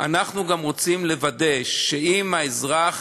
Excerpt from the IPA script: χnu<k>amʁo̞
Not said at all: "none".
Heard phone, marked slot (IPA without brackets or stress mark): ɡ